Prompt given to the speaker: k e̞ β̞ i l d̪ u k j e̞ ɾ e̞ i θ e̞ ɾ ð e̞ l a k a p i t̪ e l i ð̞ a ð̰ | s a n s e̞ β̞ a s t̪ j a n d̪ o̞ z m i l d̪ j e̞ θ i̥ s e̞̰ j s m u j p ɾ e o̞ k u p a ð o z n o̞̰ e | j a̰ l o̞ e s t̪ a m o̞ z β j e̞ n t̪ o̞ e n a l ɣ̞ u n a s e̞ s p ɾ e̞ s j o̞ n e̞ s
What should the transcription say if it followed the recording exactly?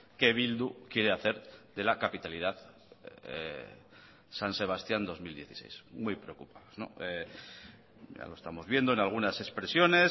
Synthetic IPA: k e̞ β̞ i l d̪ u k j e̞ ɾ e̞ a θ e̞ ɾ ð e̞ l a k a p i t̪ a l i ð̞ a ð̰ | s a n s e̞ β̞ a s t̪ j a n d̪ o̞ z m i l d̪ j e̞ θ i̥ s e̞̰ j s m u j p ɾ e o̞ k u p a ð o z n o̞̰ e | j a̰ l o̞ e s t̪ a m o̞ z β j e̞ n d̪ o̞ e n a l ɣ̞ u n a s e̞ s p ɾ e̞ s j o̞ n e̞ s

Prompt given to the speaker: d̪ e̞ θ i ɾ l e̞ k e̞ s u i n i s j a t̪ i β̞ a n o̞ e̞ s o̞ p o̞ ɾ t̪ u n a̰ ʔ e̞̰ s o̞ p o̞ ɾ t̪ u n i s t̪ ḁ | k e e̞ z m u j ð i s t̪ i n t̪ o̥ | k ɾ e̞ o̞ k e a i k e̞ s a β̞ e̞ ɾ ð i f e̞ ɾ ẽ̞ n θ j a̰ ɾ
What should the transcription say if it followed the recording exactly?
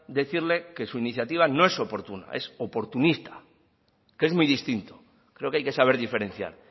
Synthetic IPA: d̪ e̞ θ i ɾ l e̞ k e̞ s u i n i θ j a t̪ i β̞ a n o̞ e̞ s o̞ p o̞ ɾ t̪ u n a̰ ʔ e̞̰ s o̞ p o̞ ɾ t̪ u n i s t̪ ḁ | k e e̞ z m u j ð i s t̪ i n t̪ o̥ | k ɾ e̞ o̞ k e a j k e̞ s a β̞ e̞ ɾ ð i f e̞ ɾ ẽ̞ n θ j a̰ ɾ

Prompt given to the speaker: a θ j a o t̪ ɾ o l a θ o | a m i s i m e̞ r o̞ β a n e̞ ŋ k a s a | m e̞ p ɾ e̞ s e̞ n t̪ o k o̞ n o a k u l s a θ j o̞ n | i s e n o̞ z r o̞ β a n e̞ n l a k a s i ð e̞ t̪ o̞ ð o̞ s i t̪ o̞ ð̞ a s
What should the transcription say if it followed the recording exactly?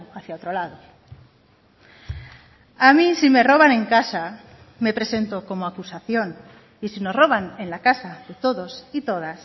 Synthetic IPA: a θ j a o t̪ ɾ o l a ð o | a m i s i m e̞ r o̞ β a n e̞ ŋ k a s a | m e̞ p ɾ e̞ s e̞ n t̪ o k o̞ m o a k u s a θ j o̞ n | i s i n o̞ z r o̞ β a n e̞ n l a k a s a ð e̞ t̪ o̞ ð o̞ s i t̪ o̞ ð̞ a s

